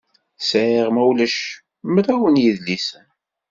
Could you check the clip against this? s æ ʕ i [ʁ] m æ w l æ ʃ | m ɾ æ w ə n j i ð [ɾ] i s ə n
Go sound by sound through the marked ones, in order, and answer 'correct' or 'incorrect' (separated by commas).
correct, incorrect